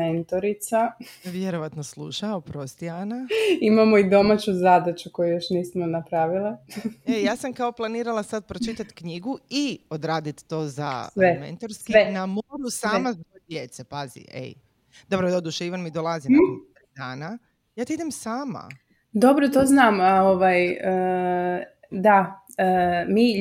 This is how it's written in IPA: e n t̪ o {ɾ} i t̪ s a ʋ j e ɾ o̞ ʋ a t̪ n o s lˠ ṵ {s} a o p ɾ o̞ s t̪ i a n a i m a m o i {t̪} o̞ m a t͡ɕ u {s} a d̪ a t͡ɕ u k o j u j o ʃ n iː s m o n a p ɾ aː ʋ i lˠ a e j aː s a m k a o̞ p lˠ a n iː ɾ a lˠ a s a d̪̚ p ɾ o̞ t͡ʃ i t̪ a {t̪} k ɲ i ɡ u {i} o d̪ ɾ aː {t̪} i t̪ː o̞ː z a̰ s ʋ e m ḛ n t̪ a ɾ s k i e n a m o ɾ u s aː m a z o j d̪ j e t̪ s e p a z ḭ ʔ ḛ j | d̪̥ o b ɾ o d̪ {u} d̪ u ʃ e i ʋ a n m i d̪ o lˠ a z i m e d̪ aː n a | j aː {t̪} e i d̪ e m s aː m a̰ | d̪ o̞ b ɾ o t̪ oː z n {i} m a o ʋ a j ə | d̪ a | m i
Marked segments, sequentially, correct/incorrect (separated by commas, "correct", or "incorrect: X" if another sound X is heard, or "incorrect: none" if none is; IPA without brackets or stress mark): correct, incorrect: ʃ, incorrect: d̪, incorrect: z, correct, correct, incorrect: d̪, incorrect: o, correct, incorrect: a